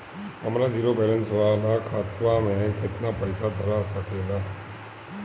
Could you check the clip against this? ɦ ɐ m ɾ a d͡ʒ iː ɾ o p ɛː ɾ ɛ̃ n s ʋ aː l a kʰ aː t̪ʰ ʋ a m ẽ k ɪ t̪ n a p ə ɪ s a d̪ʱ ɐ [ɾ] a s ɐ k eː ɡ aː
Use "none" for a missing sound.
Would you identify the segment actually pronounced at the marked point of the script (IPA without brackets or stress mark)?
ɾ